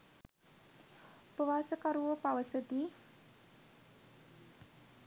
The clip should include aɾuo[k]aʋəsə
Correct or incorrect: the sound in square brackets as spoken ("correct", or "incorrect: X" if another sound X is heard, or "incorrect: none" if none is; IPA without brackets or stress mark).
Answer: incorrect: p